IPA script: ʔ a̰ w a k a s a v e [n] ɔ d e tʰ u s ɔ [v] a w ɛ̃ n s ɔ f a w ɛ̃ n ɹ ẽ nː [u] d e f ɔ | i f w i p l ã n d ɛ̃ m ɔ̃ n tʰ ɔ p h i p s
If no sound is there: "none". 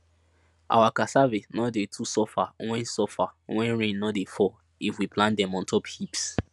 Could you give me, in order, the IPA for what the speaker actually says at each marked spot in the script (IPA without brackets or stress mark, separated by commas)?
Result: n, f, ɔ